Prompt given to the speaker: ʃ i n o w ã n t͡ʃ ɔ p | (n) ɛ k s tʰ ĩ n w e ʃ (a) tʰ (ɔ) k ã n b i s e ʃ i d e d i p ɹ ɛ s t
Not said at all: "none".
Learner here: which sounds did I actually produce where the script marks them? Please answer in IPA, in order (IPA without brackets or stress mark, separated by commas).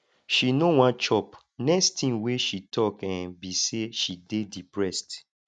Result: n, i, ɔ